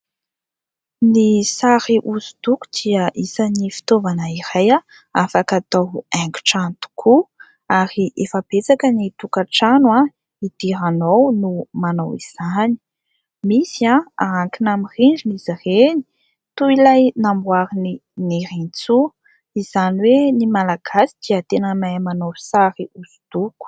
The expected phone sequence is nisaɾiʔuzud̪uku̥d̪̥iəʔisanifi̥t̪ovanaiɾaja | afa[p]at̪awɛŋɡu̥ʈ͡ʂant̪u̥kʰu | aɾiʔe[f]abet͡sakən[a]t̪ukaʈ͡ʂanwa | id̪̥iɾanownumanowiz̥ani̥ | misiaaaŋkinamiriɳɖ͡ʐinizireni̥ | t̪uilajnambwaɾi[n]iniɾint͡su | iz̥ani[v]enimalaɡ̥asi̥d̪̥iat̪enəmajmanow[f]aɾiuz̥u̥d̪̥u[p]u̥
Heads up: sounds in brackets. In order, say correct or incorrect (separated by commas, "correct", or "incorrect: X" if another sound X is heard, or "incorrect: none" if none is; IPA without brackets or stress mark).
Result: incorrect: k, correct, incorrect: i, correct, incorrect: w, incorrect: s, incorrect: k